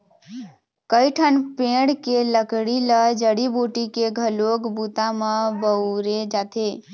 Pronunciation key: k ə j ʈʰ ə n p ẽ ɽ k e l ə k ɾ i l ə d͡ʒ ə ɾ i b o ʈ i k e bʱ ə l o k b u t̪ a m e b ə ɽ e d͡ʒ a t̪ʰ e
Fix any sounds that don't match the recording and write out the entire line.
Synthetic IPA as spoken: k ə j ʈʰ ə n p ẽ ɽ k e l ə k ɽ i l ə d͡ʒ ə ɽ i b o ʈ i k e ɡʱ ə l o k b u t̪ a m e b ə ɾ e d͡ʒ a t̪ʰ e